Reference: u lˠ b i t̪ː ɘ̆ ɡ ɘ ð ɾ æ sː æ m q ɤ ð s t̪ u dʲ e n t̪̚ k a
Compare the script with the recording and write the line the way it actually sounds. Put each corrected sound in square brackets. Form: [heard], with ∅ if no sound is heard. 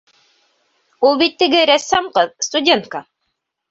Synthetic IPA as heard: u lˠ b i t̪ː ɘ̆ ɡ ɘ [∅] ɾ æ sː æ m q ɤ ð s t̪ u dʲ e n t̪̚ k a